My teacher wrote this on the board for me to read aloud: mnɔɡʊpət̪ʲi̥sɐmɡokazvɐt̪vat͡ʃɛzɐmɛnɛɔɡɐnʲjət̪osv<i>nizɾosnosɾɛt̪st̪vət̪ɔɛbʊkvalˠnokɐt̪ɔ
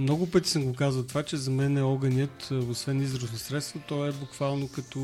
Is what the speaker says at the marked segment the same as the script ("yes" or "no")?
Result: no